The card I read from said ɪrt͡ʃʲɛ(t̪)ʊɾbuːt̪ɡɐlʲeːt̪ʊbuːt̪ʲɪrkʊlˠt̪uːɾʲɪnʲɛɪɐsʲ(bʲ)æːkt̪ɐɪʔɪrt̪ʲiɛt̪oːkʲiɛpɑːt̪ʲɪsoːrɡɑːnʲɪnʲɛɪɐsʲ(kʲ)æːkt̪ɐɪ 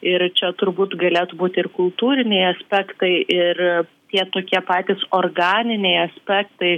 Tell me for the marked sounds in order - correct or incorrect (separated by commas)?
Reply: correct, incorrect, incorrect